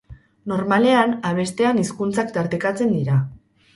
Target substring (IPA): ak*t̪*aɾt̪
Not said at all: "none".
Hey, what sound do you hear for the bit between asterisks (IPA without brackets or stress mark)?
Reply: t̪